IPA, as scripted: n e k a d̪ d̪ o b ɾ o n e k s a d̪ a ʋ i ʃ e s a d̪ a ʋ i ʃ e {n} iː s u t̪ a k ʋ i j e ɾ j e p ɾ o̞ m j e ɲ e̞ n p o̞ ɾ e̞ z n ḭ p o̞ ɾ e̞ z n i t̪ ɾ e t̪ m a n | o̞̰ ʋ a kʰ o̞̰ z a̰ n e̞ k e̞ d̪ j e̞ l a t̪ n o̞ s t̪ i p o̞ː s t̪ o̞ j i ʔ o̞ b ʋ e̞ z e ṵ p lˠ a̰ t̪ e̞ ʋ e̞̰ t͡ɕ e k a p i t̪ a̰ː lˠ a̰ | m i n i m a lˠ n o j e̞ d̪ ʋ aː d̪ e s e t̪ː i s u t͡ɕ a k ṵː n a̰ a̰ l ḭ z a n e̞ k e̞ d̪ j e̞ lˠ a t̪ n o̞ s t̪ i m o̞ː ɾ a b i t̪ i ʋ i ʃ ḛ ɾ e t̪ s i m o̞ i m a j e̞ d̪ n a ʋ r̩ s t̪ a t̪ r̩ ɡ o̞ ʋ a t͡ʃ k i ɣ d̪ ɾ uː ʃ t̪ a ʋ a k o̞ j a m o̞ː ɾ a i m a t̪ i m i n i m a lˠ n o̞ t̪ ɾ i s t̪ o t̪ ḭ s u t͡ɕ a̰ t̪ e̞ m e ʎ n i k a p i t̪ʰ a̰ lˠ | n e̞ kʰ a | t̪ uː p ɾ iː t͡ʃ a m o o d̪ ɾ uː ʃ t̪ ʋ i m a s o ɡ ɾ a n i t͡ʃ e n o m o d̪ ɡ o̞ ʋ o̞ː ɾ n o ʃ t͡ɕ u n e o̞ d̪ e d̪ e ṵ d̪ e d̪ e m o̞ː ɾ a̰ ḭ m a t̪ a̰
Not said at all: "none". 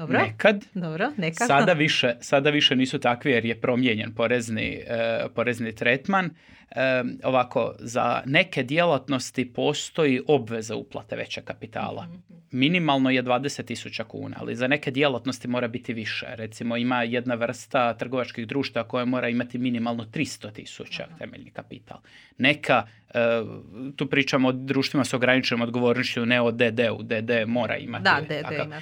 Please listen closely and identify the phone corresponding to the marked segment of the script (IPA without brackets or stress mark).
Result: n